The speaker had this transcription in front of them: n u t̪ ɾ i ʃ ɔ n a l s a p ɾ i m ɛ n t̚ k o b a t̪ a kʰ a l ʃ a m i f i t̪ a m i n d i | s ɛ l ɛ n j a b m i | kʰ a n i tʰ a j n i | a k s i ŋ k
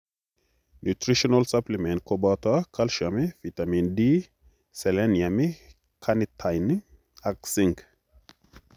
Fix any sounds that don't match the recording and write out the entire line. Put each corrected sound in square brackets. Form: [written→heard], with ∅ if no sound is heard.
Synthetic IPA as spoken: n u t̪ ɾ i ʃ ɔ n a l s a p [ɾ→l] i m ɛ n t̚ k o b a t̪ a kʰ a l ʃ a m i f i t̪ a m i n d i | s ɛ l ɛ n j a [b→∅] m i | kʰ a n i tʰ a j n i | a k s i ŋ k